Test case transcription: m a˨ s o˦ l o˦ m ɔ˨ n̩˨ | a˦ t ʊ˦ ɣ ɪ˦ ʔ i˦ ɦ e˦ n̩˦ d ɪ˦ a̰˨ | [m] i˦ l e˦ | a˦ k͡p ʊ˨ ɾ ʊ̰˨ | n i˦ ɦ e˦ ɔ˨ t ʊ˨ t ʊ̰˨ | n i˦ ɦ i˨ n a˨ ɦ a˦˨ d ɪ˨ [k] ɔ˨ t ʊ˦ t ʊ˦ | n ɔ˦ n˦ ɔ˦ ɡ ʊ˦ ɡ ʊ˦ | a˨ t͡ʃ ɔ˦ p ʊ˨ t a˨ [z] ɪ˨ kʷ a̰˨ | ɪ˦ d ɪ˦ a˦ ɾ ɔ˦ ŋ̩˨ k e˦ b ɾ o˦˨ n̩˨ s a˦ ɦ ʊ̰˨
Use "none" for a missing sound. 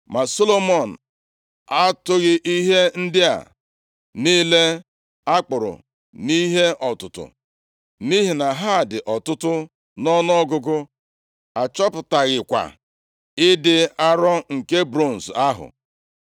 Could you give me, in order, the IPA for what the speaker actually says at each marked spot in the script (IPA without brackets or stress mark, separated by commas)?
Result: n, ʔ, ɣ